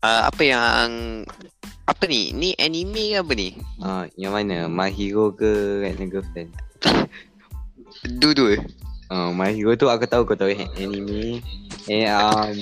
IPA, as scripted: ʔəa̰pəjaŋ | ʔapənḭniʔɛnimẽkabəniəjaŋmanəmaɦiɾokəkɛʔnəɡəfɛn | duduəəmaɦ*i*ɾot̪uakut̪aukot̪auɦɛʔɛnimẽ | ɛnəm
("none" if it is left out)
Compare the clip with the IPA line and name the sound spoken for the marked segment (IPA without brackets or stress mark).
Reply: i